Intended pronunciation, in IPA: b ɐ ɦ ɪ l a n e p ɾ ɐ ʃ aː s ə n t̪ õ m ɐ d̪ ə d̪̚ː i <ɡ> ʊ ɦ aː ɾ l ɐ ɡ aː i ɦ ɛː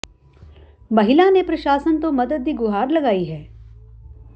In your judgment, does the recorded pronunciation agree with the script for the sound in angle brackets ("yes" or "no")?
yes